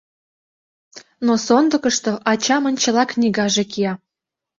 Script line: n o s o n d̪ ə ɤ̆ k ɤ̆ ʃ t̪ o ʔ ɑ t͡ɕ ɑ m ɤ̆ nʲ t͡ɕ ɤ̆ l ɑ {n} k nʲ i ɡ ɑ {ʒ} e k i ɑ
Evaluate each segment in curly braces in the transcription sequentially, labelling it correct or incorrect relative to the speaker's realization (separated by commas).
incorrect, correct